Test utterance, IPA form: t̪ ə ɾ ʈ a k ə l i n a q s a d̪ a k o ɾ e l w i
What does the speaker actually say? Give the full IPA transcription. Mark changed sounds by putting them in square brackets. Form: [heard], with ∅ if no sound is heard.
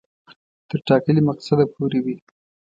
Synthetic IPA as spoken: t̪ ə ɾ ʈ [ɑ] k ə l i [m] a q s a d̪ a [p] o ɾ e [∅] w i